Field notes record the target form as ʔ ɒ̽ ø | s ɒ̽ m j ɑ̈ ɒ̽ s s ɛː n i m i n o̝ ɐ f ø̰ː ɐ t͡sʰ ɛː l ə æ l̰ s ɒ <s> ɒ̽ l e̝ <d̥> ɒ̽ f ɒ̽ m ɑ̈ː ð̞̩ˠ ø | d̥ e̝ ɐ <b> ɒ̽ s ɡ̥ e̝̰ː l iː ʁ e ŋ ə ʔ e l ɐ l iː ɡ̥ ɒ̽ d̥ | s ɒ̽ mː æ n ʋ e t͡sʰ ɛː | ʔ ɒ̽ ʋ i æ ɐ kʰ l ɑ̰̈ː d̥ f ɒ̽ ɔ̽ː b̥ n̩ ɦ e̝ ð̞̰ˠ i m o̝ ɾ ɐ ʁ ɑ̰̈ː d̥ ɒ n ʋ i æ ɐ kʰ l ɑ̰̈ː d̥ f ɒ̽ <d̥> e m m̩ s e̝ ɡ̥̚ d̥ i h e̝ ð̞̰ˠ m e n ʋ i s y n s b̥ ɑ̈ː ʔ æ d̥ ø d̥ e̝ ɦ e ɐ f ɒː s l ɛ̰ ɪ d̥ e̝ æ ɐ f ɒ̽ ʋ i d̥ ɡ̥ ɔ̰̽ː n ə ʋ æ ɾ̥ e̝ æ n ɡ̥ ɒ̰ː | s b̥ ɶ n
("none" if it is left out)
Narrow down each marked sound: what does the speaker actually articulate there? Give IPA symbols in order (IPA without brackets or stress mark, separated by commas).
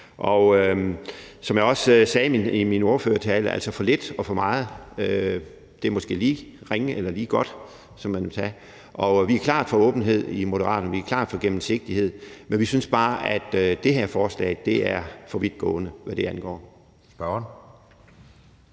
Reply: f, d̥, m, ɡ̥